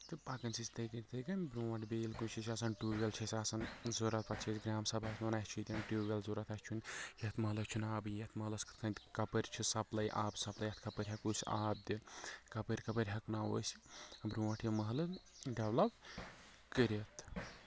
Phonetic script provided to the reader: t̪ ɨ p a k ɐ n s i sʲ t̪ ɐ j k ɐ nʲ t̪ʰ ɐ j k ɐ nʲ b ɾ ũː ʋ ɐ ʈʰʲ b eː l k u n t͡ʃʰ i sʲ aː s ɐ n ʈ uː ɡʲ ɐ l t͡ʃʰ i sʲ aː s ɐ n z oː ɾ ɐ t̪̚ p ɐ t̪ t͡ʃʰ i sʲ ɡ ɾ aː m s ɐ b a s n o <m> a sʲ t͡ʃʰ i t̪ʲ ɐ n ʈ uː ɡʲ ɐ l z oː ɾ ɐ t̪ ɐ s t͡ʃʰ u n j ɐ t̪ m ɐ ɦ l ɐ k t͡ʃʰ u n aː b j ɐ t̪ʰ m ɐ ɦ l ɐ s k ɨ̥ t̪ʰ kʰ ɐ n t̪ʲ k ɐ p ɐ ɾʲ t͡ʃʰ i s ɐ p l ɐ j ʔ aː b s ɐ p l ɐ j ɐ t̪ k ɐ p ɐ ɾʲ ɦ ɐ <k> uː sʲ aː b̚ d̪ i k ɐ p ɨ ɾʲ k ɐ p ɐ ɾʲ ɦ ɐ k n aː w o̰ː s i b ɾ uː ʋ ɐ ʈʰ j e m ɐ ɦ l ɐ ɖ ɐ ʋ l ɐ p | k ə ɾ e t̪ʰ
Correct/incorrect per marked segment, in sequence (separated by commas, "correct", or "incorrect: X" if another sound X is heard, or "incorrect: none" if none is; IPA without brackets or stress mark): incorrect: n, correct